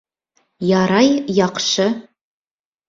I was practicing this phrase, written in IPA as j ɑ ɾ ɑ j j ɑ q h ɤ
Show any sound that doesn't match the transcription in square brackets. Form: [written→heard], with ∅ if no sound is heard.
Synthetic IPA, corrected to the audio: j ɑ ɾ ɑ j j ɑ q [h→ʃ] ɤ